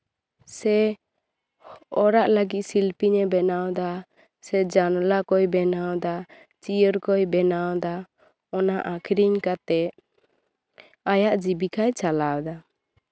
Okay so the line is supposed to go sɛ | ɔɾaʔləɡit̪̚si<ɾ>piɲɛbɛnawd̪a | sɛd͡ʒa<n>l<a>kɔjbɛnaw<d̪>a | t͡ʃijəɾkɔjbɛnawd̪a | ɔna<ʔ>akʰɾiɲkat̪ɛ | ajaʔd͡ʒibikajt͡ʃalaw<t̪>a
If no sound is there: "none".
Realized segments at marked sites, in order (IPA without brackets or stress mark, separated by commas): l, n, a, d̪, ʔ, d̪